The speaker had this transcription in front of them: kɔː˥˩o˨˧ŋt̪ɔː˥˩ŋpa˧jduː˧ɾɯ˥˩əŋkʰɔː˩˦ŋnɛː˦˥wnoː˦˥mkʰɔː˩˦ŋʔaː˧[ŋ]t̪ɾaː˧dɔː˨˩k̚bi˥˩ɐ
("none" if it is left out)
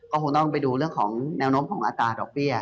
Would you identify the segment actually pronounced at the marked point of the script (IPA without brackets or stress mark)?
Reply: none